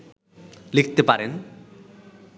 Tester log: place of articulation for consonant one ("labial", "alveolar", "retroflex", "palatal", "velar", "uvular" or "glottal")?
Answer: alveolar